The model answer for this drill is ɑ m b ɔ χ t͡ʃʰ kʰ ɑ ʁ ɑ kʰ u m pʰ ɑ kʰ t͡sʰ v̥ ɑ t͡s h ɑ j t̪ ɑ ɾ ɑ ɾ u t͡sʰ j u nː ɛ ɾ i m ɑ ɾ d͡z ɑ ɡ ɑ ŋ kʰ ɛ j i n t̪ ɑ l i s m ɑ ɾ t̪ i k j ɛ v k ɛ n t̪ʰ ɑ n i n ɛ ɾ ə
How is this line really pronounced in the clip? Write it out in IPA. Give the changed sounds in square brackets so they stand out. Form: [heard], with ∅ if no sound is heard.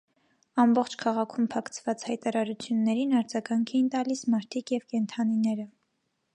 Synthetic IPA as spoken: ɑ m b ɔ χ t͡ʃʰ kʰ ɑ ʁ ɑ kʰ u m pʰ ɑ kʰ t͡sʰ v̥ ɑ t͡s h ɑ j t̪ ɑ ɾ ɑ ɾ u t͡sʰ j u nː ɛ ɾ i [n] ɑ ɾ d͡z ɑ ɡ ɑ ŋ kʰ ɛ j i n t̪ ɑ l i s m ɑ ɾ [t̪ʰ] i k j ɛ v k ɛ n t̪ʰ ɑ n i n ɛ ɾ ə